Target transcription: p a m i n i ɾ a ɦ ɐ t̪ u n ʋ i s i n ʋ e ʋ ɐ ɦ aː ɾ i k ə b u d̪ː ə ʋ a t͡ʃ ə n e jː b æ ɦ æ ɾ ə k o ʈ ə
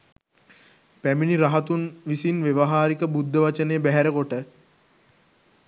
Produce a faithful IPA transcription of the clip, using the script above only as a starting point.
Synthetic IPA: p æ m i n i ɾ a ɦ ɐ t̪ u n ʋ i s i n ʋ e ʋ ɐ ɦ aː ɾ i k ə b u d̪ː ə ʋ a t͡ʃ ə n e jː b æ ɦ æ ɾ ə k o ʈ ə